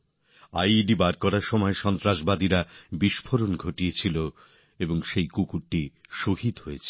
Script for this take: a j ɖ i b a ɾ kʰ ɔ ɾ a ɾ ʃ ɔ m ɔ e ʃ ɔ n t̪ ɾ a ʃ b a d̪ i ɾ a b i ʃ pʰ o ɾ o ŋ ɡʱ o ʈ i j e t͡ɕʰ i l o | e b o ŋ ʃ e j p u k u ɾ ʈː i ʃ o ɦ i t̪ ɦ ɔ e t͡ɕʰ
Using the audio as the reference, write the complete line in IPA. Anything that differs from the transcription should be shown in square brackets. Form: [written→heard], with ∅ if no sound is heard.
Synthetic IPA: a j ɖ i b a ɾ [kʰ→k] ɔ ɾ a ɾ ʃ ɔ m ɔ e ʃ ɔ n t̪ ɾ a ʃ b a d̪ i ɾ a b i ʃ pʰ o ɾ o [ŋ→n] ɡʱ o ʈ i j e t͡ɕʰ i l o | e b o ŋ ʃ e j [p→k] u k u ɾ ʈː i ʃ o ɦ i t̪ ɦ [ɔ→o] e t͡ɕʰ